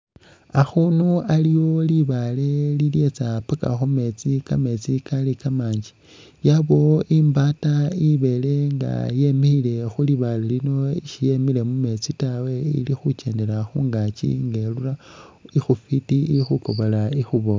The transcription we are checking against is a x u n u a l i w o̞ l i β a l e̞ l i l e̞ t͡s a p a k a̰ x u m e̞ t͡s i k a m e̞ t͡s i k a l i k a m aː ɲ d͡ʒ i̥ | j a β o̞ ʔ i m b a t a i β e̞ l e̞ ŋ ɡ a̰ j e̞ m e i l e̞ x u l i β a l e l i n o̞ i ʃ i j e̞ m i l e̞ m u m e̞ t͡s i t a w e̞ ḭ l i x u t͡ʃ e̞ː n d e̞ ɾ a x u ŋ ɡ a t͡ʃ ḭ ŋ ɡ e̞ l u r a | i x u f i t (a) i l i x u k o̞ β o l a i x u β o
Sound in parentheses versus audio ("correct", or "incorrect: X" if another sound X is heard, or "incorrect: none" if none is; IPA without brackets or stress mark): incorrect: i